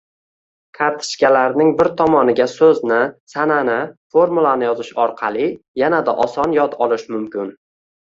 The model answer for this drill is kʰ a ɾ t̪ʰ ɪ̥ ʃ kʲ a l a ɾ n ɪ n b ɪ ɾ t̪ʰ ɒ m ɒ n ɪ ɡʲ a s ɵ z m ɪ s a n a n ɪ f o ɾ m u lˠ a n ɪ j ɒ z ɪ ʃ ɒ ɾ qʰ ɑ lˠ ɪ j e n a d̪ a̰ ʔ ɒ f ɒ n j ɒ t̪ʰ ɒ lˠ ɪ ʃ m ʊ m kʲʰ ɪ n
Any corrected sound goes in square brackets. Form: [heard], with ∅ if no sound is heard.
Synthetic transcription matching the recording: kʰ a ɾ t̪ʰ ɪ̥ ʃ kʲ a l a ɾ n ɪ [ŋ] b ɪ ɾ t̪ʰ ɒ m ɒ n ɪ ɡʲ a s ɵ z [n] ɪ s a n a n ɪ f o ɾ m u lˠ a n ɪ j ɒ z ɪ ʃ ɒ ɾ qʰ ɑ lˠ ɪ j [a] n a d̪ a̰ ʔ ɒ [s] ɒ n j ɒ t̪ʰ ɒ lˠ ɪ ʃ m ʊ m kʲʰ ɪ n